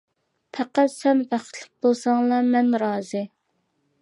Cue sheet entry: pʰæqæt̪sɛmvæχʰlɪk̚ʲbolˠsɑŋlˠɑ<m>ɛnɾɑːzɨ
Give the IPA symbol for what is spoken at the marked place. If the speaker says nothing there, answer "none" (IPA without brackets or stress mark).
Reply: m